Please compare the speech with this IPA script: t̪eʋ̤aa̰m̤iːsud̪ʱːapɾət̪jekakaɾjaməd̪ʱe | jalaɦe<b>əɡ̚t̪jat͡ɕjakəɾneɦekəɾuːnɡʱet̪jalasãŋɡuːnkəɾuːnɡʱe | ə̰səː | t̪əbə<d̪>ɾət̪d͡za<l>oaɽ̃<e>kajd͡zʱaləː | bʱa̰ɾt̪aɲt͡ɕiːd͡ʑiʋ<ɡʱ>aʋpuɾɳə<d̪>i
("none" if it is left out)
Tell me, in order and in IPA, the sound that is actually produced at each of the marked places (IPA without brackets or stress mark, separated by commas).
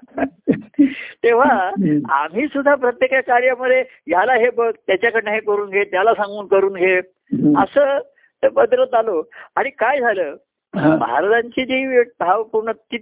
b, d̪, l, i, bʱ, t̪